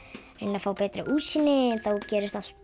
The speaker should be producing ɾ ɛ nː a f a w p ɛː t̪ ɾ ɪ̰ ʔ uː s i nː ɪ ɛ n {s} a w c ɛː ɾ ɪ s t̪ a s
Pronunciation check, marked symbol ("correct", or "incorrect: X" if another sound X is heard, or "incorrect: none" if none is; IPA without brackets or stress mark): incorrect: θ